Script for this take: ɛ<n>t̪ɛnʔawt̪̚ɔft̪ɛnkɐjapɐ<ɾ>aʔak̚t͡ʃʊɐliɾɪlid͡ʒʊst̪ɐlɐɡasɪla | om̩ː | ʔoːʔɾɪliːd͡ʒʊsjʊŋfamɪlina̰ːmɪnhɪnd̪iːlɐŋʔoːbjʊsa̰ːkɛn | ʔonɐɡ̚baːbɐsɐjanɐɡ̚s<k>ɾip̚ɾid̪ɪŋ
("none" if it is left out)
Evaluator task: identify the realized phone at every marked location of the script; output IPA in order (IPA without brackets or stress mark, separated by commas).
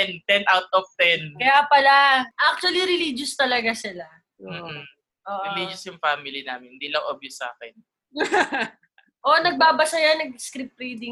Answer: n, l, k